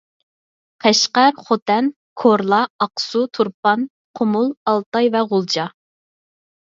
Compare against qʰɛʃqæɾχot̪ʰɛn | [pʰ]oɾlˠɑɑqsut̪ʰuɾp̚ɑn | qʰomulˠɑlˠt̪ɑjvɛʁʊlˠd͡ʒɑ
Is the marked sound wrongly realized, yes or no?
yes